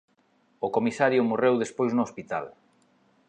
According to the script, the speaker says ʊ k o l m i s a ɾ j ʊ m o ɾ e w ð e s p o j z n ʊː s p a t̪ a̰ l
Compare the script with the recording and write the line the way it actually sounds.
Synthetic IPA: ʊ k o m i s a ɾ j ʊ m o r e w ð e s p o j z n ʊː s p i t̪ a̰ l